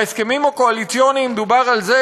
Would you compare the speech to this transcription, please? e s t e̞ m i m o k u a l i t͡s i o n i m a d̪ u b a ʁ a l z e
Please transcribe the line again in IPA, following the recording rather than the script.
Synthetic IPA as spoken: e s k e̞ m i m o k o a l i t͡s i o n i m e d̪ u b a ʁ a l z e